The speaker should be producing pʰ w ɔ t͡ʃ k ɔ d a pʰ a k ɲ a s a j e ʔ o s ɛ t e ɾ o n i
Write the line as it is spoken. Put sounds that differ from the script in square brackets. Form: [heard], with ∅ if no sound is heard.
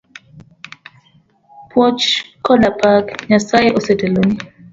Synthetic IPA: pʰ w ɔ t͡ʃ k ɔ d a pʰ a k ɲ a s a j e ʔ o s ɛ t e [l] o n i